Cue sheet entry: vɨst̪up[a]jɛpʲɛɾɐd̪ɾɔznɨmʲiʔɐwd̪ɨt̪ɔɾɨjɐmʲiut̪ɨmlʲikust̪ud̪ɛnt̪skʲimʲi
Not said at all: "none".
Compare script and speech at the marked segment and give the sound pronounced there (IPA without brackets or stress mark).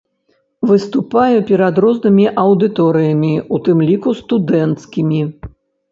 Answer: a